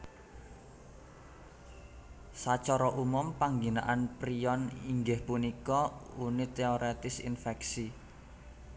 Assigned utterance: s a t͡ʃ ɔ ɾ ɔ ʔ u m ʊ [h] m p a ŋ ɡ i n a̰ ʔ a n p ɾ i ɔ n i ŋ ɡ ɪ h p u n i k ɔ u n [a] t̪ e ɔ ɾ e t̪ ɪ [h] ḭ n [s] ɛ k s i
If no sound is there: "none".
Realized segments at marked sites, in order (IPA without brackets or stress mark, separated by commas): none, i, s, f